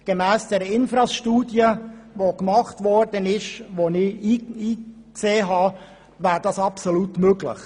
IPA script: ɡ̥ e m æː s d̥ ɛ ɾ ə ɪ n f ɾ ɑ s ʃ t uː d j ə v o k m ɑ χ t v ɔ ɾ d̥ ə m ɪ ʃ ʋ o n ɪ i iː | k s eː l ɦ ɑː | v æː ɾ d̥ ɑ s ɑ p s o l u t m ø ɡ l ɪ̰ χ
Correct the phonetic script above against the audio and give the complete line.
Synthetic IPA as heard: ɡ̥ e m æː s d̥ ɛ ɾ ə ɪ n f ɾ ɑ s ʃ t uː d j ə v o k m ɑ χ t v ɔ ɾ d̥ ə n ɪ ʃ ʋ o n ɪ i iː | k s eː ɦ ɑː | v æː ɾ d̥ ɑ s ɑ p s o l u t m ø ɡ l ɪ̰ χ